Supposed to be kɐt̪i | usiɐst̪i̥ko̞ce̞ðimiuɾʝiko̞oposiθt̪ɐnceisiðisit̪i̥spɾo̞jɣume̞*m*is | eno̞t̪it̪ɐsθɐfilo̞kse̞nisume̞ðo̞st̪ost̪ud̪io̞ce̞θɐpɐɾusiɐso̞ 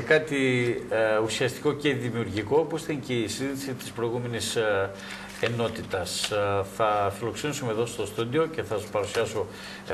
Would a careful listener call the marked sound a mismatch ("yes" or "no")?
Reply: yes